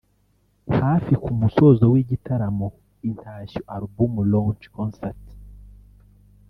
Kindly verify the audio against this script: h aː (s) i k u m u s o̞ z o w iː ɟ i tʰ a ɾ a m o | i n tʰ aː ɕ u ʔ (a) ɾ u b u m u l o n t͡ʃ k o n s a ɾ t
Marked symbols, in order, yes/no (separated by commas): no, yes